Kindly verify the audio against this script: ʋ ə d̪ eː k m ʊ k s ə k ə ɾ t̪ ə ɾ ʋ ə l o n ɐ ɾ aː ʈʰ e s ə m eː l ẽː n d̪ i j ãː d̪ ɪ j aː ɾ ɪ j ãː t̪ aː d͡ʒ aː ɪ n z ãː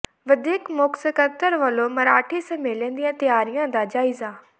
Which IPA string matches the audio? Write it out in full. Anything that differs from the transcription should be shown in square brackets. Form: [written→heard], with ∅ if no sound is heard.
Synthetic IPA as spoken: ʋ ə d̪ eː k m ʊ k s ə k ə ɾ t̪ ə ɾ ʋ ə l o [n→m] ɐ ɾ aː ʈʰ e s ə m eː l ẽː n d̪ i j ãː [d̪→t̪] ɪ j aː ɾ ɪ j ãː [t̪→d̪] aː d͡ʒ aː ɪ [n→∅] z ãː